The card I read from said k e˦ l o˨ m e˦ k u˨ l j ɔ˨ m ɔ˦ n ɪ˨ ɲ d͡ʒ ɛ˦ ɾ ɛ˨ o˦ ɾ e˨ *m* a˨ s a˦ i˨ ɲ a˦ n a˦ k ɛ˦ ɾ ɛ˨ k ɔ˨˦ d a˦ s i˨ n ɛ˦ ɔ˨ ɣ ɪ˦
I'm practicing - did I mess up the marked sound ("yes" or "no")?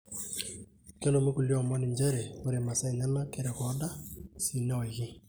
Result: no